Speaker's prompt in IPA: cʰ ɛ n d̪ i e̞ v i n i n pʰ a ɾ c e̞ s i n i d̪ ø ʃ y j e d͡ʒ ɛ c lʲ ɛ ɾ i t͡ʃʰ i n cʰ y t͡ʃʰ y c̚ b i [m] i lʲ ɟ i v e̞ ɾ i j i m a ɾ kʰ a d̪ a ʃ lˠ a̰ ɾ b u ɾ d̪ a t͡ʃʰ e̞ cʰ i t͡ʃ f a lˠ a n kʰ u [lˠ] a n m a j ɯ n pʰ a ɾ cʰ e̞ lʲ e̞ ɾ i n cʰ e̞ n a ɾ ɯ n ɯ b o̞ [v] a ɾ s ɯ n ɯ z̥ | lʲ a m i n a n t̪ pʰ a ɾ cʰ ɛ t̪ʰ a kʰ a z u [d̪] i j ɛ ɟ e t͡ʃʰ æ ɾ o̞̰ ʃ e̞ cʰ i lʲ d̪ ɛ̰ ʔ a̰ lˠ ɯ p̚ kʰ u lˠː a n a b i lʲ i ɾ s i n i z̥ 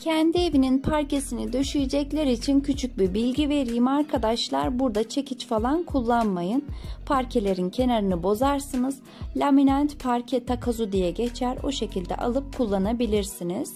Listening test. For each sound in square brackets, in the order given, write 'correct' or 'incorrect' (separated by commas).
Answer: incorrect, incorrect, incorrect, correct